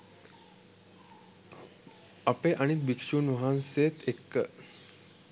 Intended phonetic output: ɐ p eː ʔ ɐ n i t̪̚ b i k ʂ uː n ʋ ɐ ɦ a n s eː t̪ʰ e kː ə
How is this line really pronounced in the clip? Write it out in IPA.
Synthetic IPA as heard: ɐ p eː ʔ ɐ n i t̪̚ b i k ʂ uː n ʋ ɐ ɦ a n s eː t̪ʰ e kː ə